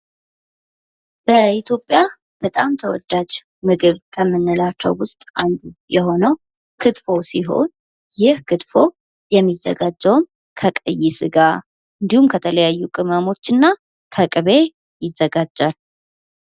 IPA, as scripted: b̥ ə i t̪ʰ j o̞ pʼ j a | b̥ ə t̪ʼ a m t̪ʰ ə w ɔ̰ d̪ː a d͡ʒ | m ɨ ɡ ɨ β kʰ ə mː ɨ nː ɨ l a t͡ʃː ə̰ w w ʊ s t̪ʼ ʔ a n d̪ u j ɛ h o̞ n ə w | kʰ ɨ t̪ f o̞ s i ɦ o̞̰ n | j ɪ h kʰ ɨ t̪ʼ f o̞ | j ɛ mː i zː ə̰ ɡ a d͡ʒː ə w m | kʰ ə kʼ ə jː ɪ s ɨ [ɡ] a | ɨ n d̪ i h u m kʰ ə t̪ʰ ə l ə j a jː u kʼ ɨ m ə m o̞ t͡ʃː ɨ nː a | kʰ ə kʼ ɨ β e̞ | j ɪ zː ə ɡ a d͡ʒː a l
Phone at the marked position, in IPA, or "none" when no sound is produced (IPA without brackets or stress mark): ɡ